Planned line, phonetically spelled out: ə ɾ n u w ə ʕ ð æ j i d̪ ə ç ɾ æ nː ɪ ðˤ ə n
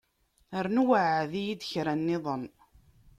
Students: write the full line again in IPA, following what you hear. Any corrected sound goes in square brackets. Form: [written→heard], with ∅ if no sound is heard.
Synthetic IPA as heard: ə ɾ n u w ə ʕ ð [æ→i] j i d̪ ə ç ɾ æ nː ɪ ðˤ ə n